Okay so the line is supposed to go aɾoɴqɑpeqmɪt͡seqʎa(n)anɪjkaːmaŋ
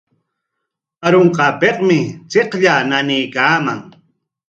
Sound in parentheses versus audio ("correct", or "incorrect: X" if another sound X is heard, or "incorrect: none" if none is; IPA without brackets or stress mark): correct